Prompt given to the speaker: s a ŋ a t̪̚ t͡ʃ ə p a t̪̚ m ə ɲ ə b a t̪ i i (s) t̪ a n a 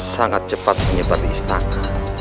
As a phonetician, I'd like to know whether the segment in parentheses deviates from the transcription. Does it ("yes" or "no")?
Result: no